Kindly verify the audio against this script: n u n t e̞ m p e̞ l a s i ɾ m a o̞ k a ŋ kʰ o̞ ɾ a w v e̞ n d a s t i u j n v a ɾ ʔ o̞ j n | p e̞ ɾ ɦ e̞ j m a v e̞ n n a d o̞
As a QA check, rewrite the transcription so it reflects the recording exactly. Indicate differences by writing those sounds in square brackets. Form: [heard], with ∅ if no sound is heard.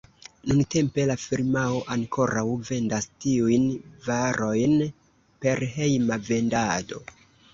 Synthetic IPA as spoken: n u n t e̞ m p e̞ l a [f] i ɾ m a o̞ [ʔ] a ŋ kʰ o̞ ɾ a w v e̞ n d a s t i u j n v a ɾ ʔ o̞ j n | p e̞ ɾ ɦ e̞ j m a v e̞ n [d] a d o̞